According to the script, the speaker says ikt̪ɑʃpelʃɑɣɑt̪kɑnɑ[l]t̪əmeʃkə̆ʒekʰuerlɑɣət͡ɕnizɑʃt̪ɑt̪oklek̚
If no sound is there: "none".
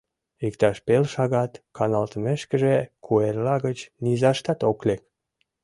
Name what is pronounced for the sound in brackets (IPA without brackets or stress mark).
l